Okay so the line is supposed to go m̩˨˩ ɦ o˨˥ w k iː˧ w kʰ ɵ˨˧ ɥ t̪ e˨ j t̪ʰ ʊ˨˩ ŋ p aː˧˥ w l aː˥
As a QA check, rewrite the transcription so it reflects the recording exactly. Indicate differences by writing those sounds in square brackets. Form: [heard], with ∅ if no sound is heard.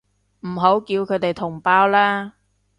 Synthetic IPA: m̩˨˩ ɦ o˨˥ w k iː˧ w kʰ ɵ˨˧ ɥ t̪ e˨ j t̪ʰ ʊ˨˩ ŋ p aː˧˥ w l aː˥

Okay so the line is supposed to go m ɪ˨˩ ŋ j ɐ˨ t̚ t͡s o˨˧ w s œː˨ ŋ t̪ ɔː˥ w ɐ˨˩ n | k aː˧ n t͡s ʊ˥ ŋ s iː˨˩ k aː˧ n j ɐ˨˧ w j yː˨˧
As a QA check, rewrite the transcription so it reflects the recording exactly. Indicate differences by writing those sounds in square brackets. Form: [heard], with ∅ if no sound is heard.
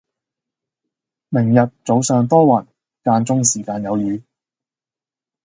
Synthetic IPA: m ɪ˨˩ ŋ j ɐ˨ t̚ t͡s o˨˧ w s œː˨ ŋ t̪ ɔː˥ w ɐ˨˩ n | k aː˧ n t͡s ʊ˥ ŋ s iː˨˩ k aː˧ n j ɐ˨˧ w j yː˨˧

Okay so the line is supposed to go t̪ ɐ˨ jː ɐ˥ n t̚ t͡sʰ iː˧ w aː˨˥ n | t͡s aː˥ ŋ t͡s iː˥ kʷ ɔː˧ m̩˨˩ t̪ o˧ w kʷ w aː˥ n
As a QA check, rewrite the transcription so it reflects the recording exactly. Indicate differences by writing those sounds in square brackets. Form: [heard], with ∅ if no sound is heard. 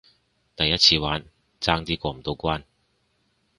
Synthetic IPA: t̪ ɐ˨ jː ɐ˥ [∅] t̚ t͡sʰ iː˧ w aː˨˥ n | t͡s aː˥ ŋ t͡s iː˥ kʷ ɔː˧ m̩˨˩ t̪ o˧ w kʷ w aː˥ n

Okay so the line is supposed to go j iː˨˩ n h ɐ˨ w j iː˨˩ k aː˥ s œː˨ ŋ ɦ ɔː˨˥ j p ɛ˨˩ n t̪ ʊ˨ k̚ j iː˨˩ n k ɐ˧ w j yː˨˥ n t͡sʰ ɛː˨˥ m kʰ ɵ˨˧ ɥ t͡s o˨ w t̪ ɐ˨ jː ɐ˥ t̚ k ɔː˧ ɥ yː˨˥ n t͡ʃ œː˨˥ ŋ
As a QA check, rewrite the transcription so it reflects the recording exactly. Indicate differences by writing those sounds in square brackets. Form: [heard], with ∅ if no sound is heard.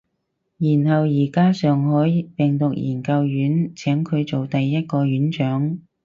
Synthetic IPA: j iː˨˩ n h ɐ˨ w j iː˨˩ k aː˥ s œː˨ ŋ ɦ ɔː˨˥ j p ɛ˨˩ [ŋ] t̪ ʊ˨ k̚ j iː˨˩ n k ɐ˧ w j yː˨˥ n t͡sʰ ɛː˨˥ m kʰ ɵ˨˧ ɥ t͡s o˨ w t̪ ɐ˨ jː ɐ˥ t̚ k ɔː˧ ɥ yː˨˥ n t͡ʃ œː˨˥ ŋ

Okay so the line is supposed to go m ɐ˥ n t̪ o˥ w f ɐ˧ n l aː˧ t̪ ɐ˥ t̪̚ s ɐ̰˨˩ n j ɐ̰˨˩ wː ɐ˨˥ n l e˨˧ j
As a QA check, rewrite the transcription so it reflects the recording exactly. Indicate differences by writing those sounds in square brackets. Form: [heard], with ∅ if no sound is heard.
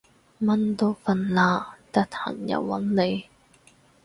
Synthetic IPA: m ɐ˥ n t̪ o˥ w f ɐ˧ n l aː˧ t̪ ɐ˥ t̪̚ [h] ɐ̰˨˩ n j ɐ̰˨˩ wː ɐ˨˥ n l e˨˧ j

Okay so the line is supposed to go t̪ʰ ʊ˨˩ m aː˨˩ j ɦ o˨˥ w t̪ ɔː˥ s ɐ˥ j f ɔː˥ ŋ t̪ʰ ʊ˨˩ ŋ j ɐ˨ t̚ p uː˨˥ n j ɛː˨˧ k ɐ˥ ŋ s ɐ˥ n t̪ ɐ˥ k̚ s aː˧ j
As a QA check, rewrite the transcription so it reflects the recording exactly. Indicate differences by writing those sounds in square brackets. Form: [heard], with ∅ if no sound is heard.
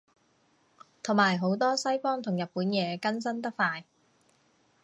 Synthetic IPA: t̪ʰ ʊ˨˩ m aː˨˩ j ɦ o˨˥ w t̪ ɔː˥ s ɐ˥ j f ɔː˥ ŋ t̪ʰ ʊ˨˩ ŋ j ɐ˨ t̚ p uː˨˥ n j ɛː˨˧ k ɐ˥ [n] s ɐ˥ n t̪ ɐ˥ k̚ [f] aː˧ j

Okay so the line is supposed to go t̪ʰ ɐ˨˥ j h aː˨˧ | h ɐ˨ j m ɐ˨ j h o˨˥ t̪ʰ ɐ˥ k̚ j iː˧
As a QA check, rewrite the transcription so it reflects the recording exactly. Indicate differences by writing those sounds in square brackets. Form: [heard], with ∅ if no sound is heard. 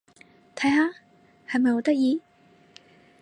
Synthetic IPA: t̪ʰ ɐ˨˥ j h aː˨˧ | h ɐ˨ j m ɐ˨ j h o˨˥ [t̪] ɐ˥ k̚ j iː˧

